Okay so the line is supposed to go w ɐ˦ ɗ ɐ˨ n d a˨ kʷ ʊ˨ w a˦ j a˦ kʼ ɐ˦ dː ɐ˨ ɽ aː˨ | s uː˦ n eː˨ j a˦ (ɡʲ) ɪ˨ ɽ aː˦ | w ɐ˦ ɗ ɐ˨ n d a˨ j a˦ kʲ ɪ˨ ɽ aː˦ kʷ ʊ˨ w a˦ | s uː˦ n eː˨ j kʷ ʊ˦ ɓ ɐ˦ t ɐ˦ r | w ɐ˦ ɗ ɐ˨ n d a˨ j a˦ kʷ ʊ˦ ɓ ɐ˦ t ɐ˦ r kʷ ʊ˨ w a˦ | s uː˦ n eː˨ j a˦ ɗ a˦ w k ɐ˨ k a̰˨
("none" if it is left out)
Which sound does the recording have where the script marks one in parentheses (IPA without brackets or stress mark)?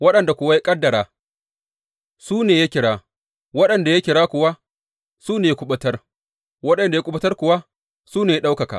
kʲ